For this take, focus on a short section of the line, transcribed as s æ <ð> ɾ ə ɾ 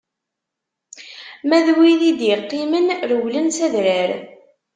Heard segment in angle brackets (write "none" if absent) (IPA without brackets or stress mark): ð